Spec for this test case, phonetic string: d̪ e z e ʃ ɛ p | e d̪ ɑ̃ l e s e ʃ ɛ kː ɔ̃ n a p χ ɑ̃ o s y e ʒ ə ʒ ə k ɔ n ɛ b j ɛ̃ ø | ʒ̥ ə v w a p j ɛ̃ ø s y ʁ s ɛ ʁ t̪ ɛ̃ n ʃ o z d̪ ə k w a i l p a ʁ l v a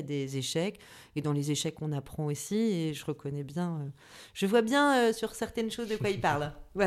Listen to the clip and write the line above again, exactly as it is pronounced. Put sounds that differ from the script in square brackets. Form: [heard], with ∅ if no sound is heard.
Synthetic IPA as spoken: d̪ e z e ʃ ɛ [k] | e d̪ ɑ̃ l e [z] e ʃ ɛ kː ɔ̃ n a p χ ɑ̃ o s [i] e ʒ ə [ʁ] ə k ɔ n ɛ b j ɛ̃ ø | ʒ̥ ə v w a [b] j ɛ̃ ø s y ʁ s ɛ ʁ t̪ [ɛ] n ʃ o z d̪ ə k w a i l p a ʁ l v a